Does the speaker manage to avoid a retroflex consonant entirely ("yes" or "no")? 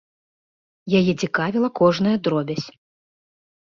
no